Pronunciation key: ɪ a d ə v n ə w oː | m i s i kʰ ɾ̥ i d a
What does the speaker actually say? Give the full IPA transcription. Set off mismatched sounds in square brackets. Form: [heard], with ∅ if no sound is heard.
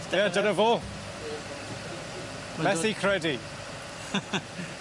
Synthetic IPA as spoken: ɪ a d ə [∅] n ə [v] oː | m [ɛ] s i kʰ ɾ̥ [ɛ] d [i]